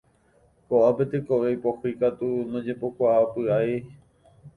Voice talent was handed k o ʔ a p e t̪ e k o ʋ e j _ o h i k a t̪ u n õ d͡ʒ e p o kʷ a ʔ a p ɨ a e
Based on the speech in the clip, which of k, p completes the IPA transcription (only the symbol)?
p